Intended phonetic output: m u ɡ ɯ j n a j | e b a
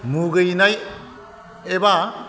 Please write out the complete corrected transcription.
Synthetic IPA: m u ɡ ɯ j n a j | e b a